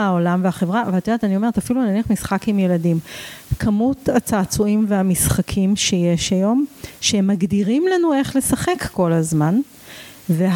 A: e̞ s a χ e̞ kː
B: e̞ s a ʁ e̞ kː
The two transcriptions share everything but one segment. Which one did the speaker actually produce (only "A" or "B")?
A